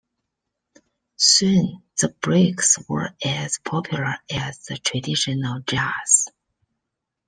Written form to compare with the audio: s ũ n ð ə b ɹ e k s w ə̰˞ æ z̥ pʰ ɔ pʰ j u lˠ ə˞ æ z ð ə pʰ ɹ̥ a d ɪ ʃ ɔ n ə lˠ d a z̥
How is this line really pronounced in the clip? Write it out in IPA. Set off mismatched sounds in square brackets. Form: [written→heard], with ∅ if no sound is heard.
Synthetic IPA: s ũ n ð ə b ɹ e k s w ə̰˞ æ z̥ pʰ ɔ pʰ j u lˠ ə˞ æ z ð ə [pʰ→tʰ] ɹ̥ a d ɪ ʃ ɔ n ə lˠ [d→d͡ʒ] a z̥